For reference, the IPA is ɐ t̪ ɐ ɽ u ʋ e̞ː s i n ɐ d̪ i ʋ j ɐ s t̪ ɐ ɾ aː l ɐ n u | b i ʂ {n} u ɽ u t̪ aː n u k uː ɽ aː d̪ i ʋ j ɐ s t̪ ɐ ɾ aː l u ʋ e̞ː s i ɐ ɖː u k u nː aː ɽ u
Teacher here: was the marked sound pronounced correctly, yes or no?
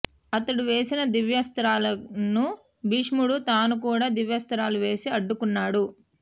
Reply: no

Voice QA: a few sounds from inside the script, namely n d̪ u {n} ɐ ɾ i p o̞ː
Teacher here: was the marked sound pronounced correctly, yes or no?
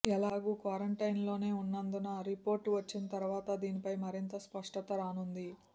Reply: yes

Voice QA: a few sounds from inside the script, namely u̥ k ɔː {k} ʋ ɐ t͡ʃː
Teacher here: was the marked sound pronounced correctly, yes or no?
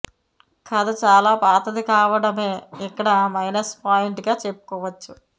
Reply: no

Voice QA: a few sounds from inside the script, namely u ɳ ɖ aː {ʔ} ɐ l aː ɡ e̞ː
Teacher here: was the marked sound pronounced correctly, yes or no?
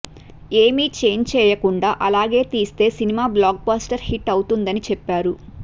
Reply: yes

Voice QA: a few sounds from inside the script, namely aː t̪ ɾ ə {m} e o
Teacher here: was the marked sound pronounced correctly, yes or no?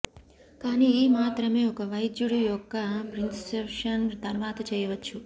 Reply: yes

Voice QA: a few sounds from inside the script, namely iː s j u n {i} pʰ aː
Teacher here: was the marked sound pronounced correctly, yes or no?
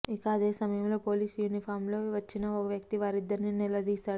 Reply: yes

